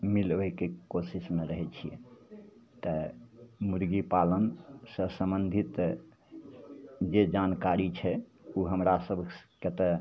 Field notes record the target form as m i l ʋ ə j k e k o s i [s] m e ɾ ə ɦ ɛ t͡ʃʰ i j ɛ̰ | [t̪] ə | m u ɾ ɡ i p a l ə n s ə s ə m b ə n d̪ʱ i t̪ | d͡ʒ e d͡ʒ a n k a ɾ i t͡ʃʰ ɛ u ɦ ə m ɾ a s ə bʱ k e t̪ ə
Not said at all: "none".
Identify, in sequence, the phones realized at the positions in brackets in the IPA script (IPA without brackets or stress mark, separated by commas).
s, t̪